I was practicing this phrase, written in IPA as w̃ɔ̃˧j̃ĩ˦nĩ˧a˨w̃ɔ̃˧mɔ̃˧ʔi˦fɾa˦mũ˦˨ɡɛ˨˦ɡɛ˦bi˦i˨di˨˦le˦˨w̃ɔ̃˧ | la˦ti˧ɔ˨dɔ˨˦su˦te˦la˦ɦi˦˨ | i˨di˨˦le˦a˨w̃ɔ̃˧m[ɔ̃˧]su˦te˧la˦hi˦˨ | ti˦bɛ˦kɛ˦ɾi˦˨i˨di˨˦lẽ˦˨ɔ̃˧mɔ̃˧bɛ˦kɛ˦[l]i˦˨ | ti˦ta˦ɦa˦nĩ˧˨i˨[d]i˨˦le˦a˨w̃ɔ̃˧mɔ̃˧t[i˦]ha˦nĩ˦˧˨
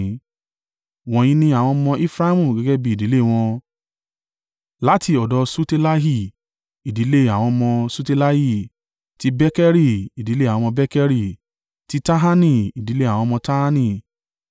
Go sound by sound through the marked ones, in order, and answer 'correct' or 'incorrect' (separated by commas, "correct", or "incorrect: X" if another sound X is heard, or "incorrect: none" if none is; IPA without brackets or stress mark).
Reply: correct, incorrect: ɾ, correct, incorrect: a˦